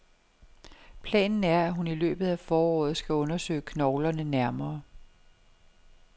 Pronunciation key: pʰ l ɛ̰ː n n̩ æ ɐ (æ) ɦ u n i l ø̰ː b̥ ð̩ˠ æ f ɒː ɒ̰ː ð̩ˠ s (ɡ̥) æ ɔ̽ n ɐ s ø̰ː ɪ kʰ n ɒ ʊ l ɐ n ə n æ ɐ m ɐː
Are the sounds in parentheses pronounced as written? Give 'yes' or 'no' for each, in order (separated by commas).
yes, yes